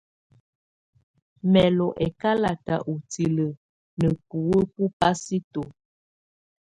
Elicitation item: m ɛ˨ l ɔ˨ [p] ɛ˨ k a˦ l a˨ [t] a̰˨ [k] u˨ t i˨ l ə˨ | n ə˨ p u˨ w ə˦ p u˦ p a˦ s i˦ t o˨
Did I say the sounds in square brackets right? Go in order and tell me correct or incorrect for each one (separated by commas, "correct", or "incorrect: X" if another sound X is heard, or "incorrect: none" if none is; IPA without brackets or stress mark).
incorrect: ʔ, correct, incorrect: ʔ